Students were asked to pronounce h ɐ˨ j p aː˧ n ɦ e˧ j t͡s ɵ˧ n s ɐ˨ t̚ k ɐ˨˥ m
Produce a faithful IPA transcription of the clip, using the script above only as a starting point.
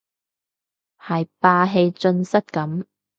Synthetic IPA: h ɐ˨ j p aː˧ ɦ e˧ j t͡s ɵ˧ n s ɐ˥ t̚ k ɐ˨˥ m